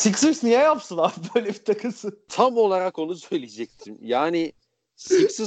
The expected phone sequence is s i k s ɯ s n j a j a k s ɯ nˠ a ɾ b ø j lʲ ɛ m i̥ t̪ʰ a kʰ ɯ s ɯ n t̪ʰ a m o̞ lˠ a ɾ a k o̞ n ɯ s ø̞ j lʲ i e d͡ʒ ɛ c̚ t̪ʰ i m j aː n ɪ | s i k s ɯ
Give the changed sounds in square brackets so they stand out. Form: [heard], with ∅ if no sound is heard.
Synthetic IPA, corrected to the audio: s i k s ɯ s n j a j a [p] s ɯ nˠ a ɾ b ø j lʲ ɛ [b] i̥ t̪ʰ a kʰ ɯ s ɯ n t̪ʰ a m o̞ lˠ a ɾ a k o̞ n [u] s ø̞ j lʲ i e d͡ʒ ɛ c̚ t̪ʰ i m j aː n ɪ | s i k s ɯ